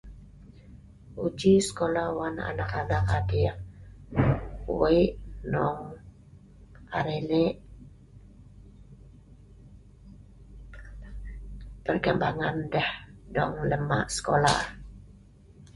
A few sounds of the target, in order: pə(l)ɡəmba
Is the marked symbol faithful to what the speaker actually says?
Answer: no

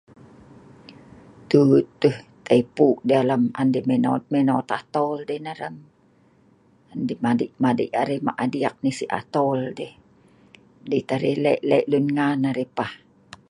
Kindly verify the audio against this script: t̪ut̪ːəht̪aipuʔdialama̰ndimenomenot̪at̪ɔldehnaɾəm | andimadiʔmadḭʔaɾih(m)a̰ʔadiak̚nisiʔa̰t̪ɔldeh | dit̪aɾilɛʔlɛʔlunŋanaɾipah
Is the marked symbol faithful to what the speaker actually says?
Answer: yes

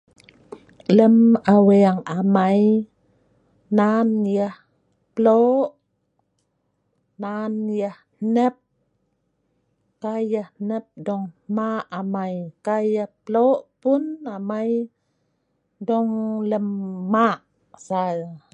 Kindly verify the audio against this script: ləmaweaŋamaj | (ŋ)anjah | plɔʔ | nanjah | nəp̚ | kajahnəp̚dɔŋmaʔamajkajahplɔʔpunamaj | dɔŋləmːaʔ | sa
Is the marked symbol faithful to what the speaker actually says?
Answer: no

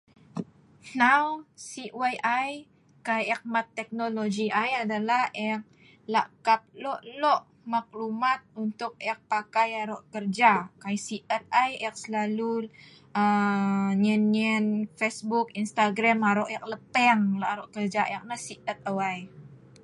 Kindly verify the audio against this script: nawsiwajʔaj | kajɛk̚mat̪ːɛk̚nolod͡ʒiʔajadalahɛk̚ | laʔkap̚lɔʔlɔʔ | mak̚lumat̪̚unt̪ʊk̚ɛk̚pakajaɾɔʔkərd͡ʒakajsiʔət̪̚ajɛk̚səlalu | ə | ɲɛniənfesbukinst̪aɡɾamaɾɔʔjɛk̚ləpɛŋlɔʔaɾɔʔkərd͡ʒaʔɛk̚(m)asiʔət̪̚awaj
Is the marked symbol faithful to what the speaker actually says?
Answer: no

